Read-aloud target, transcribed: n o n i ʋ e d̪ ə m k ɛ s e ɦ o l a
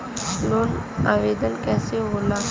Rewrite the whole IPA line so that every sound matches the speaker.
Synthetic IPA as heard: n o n a ʋ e d̪ ə n k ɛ s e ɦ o l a